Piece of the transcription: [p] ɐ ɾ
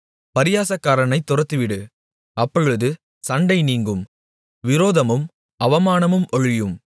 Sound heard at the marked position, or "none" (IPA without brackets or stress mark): p